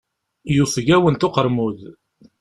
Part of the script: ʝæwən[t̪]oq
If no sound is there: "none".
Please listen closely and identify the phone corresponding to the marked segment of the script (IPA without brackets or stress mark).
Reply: t̪